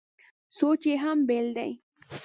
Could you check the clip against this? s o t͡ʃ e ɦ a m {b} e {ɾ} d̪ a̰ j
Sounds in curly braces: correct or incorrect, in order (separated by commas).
correct, incorrect